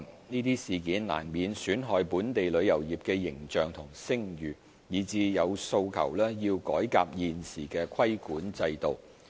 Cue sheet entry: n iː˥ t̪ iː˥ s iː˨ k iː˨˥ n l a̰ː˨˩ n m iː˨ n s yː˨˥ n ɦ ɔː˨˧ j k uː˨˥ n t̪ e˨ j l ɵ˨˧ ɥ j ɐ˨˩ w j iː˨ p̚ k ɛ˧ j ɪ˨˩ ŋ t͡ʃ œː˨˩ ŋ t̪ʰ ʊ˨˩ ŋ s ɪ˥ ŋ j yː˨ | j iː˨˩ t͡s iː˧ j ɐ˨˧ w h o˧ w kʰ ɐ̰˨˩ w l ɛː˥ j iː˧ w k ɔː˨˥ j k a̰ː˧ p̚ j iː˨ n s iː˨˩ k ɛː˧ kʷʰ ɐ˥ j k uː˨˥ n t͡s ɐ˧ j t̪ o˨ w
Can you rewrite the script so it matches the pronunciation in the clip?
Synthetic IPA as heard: n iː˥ t̪ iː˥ s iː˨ k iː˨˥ n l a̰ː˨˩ n m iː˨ n s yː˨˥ n ɦ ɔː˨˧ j p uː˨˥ n t̪ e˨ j l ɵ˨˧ ɥ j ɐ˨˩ w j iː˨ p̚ k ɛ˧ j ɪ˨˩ ŋ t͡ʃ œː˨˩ ŋ t̪ʰ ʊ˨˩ ŋ s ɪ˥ ŋ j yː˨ | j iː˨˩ t͡s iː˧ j ɐ˨˧ w s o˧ w kʰ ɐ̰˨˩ w l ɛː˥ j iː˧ w k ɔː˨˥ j k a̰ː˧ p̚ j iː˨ n s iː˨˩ k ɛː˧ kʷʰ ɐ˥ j k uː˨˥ n t͡s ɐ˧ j t̪ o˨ w